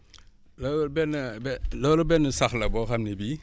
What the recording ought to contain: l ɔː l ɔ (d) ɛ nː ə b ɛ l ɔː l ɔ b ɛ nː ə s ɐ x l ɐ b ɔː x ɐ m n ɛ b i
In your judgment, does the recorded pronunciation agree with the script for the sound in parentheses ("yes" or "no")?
no